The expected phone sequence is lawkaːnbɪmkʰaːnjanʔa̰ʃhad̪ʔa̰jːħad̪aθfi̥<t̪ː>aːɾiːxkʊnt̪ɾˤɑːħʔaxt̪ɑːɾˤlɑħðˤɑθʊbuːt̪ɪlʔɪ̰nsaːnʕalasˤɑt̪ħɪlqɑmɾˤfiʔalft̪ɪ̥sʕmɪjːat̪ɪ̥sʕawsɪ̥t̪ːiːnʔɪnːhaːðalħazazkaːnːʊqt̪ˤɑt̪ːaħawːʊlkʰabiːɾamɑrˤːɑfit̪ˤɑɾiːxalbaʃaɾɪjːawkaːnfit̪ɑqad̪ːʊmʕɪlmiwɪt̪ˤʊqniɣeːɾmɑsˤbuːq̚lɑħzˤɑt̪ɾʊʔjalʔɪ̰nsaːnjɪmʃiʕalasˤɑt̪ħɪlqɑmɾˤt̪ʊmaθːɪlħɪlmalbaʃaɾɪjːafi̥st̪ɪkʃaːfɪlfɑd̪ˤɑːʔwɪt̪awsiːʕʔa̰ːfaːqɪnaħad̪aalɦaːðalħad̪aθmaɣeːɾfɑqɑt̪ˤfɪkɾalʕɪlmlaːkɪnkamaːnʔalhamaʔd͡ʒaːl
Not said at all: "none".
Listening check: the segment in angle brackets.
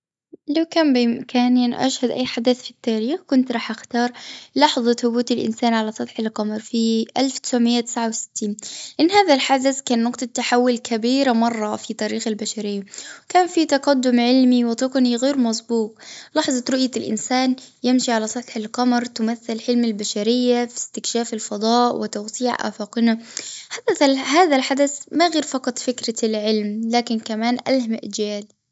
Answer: t̪ː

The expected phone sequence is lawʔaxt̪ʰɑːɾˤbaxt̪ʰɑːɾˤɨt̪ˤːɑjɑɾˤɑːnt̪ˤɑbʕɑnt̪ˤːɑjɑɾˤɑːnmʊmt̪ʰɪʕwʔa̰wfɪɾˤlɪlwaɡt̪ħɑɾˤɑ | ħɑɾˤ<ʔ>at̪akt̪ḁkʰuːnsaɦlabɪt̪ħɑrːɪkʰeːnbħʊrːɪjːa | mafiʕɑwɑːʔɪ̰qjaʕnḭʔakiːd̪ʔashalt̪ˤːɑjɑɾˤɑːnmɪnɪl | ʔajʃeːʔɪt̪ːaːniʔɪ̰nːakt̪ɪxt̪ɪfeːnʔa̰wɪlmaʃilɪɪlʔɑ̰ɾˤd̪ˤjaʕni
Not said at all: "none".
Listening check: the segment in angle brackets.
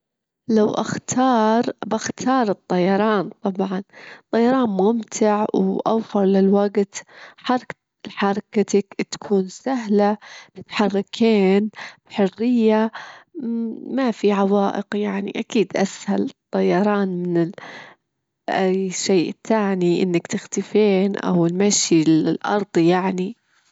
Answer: k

